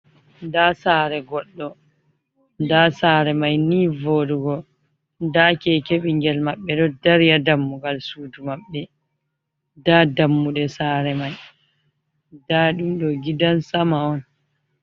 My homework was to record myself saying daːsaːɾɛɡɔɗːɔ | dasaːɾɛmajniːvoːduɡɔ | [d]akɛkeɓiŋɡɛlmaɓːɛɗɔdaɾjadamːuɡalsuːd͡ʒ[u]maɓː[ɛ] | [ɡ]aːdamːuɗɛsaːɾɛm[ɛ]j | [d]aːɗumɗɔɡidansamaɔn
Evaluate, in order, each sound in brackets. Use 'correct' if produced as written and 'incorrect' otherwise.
correct, correct, correct, incorrect, incorrect, correct

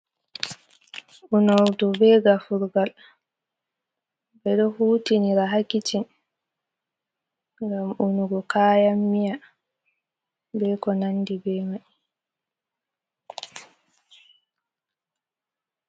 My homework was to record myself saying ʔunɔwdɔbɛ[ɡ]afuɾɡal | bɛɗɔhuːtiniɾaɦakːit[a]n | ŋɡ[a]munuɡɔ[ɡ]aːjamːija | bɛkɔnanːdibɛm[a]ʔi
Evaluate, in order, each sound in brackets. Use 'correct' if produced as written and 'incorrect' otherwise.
correct, incorrect, correct, incorrect, correct

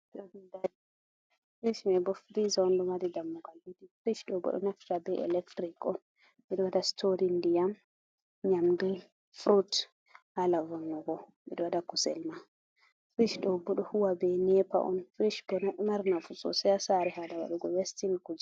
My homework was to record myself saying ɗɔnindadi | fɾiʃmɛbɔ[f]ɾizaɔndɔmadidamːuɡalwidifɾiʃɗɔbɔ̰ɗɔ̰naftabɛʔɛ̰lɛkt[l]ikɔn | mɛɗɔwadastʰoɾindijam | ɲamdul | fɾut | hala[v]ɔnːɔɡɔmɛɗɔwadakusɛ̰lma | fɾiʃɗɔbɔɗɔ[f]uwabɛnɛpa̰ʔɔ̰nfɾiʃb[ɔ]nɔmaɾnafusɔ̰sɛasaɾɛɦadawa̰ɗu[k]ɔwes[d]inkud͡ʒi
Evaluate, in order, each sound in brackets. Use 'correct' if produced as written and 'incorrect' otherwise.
correct, incorrect, correct, incorrect, correct, incorrect, incorrect

